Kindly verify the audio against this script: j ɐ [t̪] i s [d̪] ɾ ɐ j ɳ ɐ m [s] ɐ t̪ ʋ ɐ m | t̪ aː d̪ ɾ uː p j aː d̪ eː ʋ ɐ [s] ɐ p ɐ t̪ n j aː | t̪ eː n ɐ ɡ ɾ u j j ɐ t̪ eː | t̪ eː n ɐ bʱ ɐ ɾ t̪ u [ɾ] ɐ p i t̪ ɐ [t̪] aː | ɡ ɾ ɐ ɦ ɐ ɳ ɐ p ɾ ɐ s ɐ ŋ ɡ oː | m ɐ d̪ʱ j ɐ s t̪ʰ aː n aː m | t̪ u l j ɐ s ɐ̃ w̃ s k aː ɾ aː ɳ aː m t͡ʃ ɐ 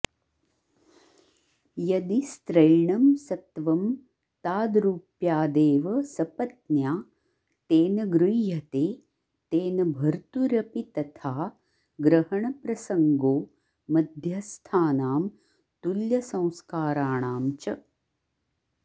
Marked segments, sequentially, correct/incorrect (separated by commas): incorrect, incorrect, correct, correct, correct, incorrect